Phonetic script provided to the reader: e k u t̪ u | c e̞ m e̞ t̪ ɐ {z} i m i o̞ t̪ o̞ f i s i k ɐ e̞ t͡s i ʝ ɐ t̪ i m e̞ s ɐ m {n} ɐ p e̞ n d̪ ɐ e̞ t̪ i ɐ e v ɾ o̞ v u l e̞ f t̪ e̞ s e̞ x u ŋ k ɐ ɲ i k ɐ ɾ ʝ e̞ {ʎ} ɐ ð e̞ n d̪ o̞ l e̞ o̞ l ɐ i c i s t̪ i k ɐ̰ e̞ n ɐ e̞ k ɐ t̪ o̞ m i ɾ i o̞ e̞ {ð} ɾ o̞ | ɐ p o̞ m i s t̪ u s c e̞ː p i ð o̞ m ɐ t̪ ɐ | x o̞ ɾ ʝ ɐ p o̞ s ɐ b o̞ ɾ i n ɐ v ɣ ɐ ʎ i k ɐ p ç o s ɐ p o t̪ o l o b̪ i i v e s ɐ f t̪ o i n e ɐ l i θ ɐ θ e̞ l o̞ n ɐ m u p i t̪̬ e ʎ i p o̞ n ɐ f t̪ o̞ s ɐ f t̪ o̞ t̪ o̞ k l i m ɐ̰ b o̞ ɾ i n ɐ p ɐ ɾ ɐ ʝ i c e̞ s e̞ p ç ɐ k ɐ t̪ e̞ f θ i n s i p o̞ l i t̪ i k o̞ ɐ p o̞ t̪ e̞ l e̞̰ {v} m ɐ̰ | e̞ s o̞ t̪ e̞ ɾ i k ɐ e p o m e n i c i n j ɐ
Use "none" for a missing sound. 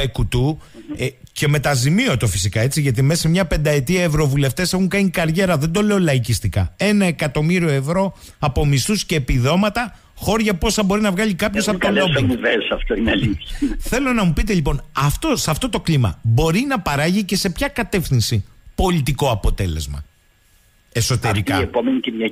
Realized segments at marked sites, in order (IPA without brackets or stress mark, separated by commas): z, ɲ, ɾ, v, z